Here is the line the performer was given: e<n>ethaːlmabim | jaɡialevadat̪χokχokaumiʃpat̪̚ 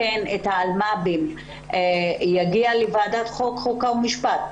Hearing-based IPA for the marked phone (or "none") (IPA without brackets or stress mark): n